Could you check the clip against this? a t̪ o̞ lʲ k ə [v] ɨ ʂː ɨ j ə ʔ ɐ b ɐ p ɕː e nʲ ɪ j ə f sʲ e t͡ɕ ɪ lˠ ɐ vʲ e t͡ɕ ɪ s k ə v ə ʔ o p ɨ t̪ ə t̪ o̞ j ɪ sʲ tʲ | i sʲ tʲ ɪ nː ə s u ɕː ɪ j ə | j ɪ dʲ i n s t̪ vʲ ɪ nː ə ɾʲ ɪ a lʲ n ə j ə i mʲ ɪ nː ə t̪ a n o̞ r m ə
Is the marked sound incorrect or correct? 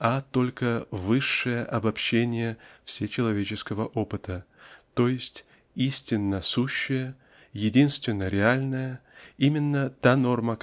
correct